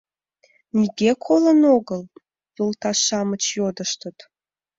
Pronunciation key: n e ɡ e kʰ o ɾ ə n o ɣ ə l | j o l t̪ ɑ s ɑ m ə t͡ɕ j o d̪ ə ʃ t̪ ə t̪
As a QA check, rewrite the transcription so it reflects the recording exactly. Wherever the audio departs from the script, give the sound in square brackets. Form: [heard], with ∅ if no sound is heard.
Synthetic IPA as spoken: n [i] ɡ e kʰ o [l] ə n o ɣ ə l | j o l t̪ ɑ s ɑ m ə t͡ɕ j o d̪ ə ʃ t̪ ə t̪

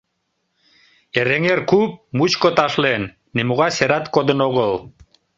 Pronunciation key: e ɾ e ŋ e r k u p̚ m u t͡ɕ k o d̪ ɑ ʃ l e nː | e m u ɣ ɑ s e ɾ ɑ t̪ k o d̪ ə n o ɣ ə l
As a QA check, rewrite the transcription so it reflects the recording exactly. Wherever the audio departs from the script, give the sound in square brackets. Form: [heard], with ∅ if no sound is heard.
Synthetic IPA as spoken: e ɾ e ŋ e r k u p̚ m u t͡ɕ k o [t̪] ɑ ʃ l e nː | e m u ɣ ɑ s e ɾ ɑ t̪ k o d̪ ə n o ɣ ə l

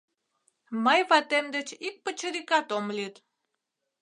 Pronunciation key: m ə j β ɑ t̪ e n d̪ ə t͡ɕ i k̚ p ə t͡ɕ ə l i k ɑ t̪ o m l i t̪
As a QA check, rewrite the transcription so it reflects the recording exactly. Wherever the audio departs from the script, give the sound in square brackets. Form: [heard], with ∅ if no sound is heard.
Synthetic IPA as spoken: m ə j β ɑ t̪ e [m] d̪ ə t͡ɕ i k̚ p ə t͡ɕ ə [ɾ] i k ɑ t̪ o m l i t̪

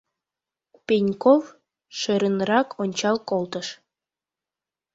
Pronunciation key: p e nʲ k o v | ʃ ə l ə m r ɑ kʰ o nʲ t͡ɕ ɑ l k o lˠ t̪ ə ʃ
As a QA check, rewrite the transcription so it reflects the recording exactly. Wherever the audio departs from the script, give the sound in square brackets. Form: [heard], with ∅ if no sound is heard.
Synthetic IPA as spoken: p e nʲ k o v | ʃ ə [ɾ] ə [n] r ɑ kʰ o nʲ t͡ɕ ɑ l k o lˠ t̪ ə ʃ

